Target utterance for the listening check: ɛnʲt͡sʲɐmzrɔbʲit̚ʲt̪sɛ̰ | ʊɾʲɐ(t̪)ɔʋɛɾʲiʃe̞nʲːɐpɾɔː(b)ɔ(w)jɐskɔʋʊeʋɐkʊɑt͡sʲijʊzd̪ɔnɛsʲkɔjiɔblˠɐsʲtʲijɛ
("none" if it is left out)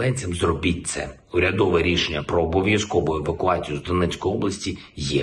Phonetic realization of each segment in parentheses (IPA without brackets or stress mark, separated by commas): d̪, b, ʋ